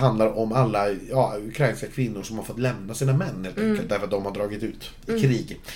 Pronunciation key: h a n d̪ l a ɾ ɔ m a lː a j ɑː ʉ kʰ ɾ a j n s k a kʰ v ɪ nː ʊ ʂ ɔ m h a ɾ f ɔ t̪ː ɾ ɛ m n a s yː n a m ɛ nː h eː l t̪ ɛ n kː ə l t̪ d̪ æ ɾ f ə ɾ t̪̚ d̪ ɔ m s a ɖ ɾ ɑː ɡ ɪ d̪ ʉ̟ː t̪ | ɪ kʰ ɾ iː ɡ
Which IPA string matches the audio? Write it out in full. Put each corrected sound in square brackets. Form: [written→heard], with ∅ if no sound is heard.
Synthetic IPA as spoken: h a n d̪ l a ɾ ɔ m a lː a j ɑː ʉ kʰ ɾ a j n s k a kʰ v ɪ nː ʊ ʂ ɔ m h a ɾ f ɔ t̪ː [ɾ→l] ɛ m n a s [yː→iː] n a m ɛ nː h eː l t̪ ɛ [n→ŋ] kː ə l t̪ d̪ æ ɾ f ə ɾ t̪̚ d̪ ɔ m [s→h] a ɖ ɾ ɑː ɡ ɪ [d̪→t̪] ʉ̟ː t̪ | ɪ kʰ ɾ iː ɡ